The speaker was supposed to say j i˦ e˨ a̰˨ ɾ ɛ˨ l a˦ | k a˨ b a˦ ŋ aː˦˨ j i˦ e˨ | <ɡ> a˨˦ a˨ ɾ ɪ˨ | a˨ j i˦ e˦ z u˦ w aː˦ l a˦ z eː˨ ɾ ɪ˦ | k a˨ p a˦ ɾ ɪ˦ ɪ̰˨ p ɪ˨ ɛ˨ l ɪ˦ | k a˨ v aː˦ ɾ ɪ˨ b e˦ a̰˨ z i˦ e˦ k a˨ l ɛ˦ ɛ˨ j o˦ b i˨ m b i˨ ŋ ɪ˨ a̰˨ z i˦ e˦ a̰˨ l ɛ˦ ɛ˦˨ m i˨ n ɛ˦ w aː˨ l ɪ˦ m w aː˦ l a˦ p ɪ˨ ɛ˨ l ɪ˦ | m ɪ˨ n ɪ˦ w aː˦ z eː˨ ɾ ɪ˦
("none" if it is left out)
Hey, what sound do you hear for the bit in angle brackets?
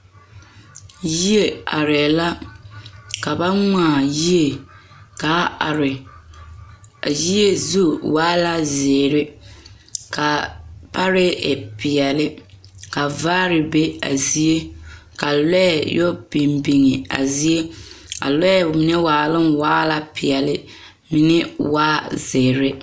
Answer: k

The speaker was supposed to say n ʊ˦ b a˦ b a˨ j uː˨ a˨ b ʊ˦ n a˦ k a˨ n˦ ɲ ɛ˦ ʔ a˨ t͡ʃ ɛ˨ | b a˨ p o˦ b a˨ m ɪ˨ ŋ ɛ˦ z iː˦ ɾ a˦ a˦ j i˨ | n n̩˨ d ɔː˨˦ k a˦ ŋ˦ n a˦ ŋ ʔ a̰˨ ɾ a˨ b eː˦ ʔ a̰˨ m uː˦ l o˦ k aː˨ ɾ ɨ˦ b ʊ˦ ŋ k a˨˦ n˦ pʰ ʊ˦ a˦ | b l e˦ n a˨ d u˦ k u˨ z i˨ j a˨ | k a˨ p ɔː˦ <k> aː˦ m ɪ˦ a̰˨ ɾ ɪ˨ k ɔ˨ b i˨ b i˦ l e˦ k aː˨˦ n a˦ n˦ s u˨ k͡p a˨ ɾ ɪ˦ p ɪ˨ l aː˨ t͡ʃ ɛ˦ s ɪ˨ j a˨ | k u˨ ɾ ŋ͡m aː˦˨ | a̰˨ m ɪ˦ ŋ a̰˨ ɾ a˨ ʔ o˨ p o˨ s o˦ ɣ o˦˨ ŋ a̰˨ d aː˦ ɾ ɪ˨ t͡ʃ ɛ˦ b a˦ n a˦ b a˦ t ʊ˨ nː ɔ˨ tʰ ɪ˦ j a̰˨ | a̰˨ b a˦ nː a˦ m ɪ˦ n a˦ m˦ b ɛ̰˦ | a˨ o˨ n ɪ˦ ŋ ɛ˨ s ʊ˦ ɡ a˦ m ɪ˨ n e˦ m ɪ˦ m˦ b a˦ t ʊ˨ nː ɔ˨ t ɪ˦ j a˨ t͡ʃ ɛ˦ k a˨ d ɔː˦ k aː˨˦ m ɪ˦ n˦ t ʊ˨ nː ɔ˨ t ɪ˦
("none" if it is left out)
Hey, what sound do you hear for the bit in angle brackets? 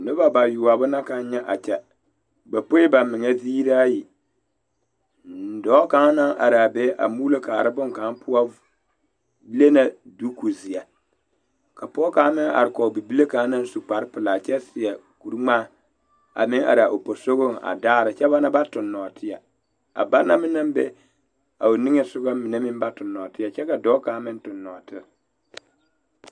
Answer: k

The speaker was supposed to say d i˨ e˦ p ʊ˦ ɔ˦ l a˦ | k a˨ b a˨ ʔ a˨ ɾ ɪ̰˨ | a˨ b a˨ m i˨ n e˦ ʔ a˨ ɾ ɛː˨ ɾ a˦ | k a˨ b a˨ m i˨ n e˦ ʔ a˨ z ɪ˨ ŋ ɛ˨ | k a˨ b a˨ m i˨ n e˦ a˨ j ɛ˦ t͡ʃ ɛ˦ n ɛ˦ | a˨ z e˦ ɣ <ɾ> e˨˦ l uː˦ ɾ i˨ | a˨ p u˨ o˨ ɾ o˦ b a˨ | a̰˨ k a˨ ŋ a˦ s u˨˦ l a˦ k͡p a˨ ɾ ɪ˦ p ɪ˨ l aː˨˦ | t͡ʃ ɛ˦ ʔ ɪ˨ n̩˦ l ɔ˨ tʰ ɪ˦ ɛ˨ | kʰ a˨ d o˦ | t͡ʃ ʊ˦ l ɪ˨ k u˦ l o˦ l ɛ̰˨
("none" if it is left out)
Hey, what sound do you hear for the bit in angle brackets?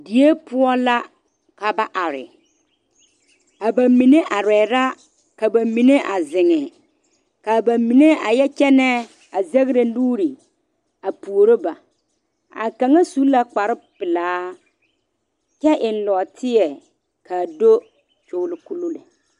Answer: ɾ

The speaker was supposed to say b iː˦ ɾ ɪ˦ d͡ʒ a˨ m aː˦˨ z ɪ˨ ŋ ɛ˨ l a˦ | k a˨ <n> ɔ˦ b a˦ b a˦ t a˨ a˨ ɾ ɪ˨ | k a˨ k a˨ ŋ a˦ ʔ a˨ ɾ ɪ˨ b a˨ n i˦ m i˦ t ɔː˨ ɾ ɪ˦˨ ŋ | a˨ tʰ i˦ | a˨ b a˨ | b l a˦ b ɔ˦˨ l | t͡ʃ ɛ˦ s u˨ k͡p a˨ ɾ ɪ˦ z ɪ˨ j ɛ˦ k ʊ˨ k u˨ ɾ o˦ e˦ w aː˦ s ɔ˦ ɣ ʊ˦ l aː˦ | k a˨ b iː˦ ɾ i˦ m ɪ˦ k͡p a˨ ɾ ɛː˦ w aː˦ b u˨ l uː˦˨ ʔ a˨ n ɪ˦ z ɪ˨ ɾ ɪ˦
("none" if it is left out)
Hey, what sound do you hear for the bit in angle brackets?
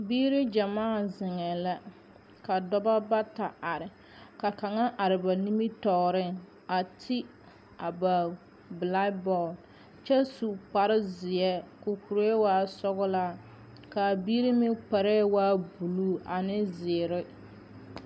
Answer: d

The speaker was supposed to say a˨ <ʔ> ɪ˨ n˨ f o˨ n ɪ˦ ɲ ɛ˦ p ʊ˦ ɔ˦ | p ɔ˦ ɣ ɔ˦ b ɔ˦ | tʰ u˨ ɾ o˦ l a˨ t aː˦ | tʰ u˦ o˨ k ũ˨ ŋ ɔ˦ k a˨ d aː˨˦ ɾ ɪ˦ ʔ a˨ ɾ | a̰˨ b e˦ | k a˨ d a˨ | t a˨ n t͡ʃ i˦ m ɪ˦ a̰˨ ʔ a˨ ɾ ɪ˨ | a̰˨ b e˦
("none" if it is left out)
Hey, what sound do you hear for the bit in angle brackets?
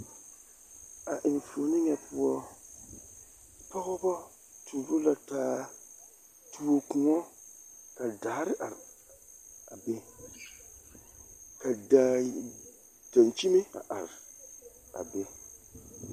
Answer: ʔ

